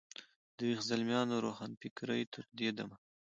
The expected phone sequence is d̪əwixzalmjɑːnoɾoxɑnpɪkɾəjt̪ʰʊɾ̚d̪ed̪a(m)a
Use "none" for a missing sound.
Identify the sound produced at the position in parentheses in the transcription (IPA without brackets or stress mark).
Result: m